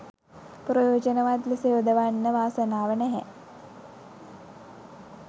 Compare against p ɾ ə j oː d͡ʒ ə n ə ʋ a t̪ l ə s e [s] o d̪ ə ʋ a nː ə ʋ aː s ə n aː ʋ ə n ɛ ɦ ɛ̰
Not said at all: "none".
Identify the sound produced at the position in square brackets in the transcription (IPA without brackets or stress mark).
none